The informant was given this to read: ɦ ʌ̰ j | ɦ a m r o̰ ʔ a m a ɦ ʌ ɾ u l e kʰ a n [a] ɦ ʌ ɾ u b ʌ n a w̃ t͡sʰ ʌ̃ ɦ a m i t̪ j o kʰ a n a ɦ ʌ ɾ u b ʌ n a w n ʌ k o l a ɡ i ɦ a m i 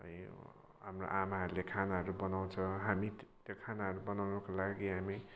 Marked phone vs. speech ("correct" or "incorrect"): correct